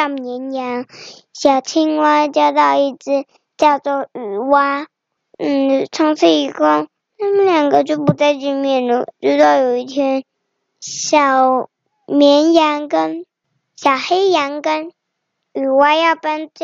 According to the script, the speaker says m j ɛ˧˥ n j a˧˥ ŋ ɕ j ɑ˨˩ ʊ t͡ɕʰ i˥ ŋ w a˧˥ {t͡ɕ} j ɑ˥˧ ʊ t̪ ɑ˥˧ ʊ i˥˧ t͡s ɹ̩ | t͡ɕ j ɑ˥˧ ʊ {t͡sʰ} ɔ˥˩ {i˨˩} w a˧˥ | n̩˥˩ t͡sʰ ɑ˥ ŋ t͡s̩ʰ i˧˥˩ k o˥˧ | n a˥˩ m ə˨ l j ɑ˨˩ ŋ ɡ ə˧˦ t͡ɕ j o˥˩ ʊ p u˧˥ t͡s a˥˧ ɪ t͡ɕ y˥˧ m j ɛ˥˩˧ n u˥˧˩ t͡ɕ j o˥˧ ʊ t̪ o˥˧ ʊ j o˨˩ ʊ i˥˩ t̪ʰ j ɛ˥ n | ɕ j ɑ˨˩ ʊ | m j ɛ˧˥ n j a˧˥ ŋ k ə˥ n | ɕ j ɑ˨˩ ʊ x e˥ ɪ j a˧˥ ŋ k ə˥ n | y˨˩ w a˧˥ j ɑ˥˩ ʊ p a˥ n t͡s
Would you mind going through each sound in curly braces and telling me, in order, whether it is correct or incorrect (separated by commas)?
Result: correct, incorrect, incorrect